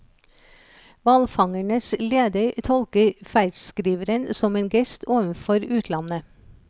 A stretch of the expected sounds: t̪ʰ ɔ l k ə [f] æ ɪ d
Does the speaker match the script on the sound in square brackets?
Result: yes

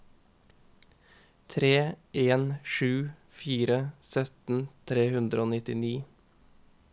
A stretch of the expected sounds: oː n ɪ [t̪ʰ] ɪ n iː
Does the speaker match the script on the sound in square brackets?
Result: no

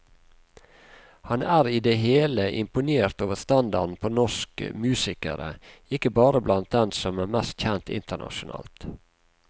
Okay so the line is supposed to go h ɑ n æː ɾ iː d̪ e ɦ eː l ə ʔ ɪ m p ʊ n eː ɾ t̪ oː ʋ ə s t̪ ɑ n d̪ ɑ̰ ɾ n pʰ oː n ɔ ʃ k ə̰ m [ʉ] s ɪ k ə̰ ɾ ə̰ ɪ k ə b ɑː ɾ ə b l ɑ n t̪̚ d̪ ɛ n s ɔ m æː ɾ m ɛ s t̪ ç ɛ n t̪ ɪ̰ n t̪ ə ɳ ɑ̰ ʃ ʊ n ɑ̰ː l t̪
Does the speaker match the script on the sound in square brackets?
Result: no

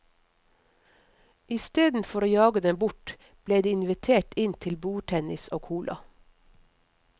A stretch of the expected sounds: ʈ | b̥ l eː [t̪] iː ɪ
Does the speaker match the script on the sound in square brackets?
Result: no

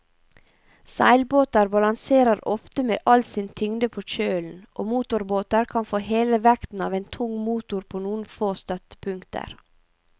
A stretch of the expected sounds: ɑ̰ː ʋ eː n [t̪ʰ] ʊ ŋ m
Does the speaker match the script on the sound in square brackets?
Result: yes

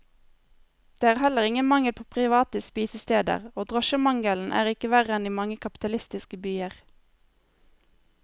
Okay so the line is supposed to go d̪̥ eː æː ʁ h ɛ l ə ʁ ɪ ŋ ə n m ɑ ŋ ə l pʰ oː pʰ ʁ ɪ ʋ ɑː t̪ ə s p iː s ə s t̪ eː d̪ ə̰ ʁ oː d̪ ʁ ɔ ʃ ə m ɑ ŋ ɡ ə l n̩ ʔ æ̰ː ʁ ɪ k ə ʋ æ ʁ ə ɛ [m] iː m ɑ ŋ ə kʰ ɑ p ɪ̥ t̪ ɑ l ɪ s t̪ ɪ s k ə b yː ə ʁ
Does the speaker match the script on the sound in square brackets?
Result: no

